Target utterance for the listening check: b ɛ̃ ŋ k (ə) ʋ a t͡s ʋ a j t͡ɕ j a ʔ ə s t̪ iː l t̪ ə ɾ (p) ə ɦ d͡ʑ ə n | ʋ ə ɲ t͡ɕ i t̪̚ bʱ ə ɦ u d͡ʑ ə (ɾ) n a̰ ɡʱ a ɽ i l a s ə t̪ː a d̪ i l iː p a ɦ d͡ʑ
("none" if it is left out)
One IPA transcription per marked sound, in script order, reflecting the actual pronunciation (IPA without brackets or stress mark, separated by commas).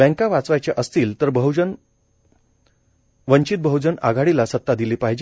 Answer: a, b, none